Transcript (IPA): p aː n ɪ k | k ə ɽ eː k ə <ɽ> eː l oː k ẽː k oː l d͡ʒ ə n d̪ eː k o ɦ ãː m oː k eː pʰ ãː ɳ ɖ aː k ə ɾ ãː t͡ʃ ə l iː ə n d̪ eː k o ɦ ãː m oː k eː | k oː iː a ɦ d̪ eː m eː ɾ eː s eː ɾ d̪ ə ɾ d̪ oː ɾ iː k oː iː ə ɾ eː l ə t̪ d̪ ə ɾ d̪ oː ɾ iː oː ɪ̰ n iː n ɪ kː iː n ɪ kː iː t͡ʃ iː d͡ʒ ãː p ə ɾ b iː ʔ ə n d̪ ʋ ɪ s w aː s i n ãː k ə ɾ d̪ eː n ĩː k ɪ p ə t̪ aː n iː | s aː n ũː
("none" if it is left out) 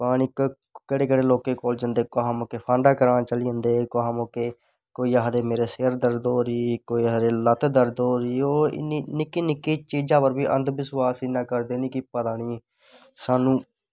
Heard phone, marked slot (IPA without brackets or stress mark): ɽ